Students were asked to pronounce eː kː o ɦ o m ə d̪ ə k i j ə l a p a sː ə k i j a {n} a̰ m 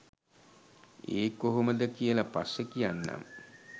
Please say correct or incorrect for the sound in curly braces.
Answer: incorrect